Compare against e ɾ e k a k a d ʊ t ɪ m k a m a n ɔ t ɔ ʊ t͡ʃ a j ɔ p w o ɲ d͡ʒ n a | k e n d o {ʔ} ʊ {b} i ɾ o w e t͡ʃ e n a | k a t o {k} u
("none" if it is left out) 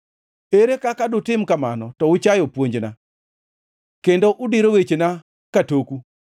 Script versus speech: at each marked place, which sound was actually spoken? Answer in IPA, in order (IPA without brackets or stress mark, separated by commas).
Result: ʔ, d, k